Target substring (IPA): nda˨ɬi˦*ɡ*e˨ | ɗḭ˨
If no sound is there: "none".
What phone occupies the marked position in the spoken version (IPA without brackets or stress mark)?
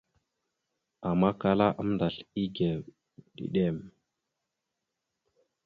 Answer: ɡ